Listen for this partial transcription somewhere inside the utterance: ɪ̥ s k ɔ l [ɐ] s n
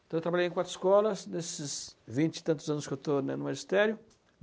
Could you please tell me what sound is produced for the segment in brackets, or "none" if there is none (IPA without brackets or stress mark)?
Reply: ɐ